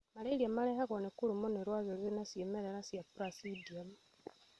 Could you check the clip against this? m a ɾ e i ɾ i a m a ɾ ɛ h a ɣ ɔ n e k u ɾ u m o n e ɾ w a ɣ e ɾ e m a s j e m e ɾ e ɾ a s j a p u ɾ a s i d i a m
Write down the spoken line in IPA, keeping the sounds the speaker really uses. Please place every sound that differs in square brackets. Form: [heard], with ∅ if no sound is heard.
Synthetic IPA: m a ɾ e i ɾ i a m a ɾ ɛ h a ɣ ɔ n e k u ɾ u m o n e ɾ w a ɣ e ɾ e [n] a s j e m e ɾ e ɾ a s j a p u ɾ a s i d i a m